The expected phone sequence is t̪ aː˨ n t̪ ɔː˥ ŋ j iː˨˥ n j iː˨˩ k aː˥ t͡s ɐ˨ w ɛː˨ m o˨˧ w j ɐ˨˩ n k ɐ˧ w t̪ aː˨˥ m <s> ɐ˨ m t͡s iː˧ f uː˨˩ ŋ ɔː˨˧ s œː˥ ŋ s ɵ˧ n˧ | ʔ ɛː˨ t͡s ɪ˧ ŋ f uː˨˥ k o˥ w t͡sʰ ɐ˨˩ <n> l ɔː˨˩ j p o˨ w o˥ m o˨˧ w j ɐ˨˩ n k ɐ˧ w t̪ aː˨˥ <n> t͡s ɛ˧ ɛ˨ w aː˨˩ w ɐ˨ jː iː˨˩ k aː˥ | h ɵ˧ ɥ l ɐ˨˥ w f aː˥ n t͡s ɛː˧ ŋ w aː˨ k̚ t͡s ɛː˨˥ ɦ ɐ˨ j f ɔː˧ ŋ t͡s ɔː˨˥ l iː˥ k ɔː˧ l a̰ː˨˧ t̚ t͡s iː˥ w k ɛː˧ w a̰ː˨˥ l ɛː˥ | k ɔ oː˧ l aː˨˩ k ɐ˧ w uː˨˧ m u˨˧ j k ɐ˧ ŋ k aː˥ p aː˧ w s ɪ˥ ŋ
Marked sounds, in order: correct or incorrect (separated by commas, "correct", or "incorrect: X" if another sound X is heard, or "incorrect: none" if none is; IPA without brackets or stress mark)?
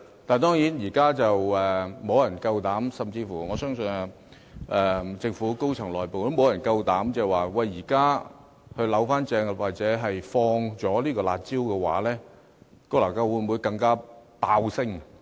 correct, incorrect: ŋ, incorrect: m